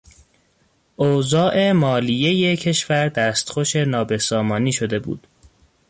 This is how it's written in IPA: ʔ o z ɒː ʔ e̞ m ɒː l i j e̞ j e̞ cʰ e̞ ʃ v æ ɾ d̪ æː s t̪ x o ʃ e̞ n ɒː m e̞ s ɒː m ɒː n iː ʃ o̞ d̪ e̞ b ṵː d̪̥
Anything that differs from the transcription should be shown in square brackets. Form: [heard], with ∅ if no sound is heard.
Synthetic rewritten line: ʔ o z ɒː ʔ e̞ m ɒː l i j e̞ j e̞ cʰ e̞ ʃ v æ ɾ d̪ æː s t̪ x o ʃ e̞ n ɒː [b] e̞ s ɒː m ɒː n iː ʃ o̞ d̪ e̞ b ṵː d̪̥

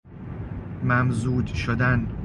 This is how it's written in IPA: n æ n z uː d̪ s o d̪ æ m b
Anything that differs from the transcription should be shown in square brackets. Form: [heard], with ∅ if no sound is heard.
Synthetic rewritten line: [m] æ [m] z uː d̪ [ʃ] o d̪ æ [n] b

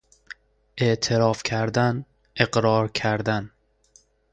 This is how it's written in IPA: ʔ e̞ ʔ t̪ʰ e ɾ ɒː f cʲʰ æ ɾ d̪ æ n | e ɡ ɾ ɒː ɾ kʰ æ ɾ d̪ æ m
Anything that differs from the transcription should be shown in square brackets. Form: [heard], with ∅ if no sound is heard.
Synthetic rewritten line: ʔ e̞ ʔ t̪ʰ e ɾ ɒː f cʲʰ æ ɾ d̪ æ n | e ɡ ɾ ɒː ɾ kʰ æ ɾ d̪ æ [n]

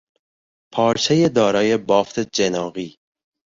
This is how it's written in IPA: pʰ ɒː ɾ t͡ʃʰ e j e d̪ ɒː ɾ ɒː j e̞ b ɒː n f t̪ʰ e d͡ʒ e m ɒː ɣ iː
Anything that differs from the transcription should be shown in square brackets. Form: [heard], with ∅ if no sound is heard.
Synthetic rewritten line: pʰ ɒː ɾ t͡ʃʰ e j e d̪ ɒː ɾ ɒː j e̞ b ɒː [∅] f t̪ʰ e d͡ʒ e [n] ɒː ɣ iː

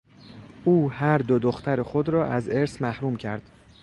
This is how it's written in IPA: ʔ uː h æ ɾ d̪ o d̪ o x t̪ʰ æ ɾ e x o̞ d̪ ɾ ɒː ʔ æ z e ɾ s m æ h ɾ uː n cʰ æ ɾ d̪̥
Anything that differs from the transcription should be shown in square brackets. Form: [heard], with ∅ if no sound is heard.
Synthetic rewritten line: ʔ uː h æ ɾ d̪ o d̪ o x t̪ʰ æ ɾ e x o̞ d̪ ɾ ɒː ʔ æ z e ɾ s m æ h ɾ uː [m] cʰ æ ɾ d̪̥

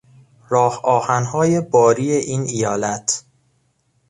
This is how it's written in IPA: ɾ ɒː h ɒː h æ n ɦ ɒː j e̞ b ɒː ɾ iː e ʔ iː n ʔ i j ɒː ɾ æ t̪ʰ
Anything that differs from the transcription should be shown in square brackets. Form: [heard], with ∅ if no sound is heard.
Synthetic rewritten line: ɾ ɒː h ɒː h æ n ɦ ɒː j e̞ b ɒː ɾ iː e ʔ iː n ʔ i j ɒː [l] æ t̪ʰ

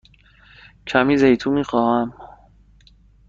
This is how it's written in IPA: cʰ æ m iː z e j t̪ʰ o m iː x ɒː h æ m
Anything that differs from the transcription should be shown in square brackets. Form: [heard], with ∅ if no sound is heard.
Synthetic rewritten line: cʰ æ m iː z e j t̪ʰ [u] m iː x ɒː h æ m

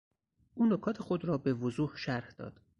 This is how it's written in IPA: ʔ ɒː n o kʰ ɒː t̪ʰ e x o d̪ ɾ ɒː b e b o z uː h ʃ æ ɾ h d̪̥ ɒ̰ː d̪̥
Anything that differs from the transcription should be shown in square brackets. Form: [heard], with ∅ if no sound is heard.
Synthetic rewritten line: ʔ [uː] n o kʰ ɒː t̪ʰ e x o d̪ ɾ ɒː b e [v] o z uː h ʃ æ ɾ h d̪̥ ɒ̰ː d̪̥

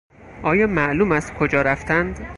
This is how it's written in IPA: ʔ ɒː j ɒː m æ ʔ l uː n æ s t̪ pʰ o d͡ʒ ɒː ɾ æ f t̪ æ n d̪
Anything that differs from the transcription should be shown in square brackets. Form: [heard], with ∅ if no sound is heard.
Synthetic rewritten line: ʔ ɒː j ɒː m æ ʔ l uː [m] æ s t̪ [kʰ] o d͡ʒ ɒː ɾ æ f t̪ æ n d̪

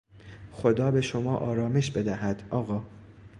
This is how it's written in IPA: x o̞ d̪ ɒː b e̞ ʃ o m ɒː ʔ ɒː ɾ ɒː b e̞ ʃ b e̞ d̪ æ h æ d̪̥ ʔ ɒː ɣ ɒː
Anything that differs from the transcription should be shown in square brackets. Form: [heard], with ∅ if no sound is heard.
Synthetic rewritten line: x o̞ d̪ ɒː b e̞ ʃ o m ɒː ʔ ɒː ɾ ɒː [m] e̞ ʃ b e̞ d̪ æ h æ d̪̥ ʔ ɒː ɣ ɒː

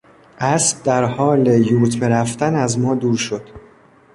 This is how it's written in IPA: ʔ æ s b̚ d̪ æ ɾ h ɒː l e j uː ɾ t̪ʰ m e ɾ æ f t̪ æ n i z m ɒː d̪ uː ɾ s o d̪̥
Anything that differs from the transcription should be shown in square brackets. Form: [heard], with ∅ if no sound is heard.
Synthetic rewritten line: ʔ æ s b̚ d̪ æ ɾ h ɒː l e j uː ɾ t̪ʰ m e ɾ æ f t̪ æ n [æ] z m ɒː d̪ uː ɾ [ʃ] o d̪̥

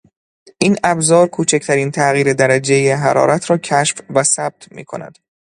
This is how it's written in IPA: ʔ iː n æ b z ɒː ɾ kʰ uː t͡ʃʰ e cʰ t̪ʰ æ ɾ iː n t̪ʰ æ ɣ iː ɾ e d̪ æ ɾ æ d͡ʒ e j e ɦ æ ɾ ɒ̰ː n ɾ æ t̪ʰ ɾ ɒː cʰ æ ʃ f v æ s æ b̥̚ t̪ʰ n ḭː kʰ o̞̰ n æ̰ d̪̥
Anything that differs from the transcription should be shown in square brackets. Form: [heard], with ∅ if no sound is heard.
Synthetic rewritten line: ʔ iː n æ b z ɒː ɾ kʰ uː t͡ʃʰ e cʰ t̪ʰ æ ɾ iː n t̪ʰ æ ɣ iː ɾ e d̪ æ ɾ æ d͡ʒ e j e ɦ æ ɾ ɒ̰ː [∅] ɾ æ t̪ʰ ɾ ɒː cʰ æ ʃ f v æ s æ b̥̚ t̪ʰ [m] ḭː kʰ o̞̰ n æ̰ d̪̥

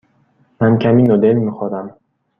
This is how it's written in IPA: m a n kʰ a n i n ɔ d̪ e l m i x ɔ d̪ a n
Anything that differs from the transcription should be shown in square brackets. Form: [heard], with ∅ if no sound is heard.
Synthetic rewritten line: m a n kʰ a [m] i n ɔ d̪ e l m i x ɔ d̪ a [m]

